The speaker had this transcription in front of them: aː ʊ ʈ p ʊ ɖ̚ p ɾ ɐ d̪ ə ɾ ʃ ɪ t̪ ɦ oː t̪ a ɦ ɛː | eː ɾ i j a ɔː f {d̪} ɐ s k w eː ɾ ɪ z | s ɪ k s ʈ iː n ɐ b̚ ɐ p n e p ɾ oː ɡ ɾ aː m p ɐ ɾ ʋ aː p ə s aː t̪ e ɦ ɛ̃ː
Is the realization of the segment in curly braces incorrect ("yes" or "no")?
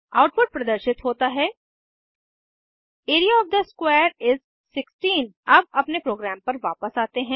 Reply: no